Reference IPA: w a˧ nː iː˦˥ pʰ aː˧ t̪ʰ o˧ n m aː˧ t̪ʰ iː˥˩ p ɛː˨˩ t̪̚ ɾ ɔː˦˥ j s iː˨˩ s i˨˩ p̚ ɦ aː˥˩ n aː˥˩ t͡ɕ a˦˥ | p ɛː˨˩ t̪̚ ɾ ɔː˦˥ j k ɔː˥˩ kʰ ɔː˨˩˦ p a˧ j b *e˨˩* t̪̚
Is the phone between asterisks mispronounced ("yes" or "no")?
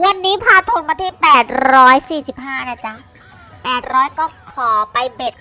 no